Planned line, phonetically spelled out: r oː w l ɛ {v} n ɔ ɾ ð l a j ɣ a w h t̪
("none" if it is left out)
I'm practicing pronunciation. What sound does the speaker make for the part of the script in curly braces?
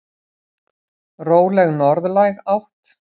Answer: ɣ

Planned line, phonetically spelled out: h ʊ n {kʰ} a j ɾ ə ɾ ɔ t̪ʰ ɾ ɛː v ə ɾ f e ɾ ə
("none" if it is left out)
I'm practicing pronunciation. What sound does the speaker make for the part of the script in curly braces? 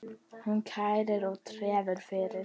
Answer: kʰ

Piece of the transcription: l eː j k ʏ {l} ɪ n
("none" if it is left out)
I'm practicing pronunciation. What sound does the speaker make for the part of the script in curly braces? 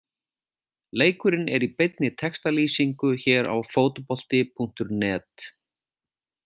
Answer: ɾ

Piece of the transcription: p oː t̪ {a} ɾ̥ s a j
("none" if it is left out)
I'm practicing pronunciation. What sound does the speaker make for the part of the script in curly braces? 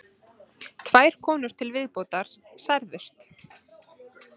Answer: a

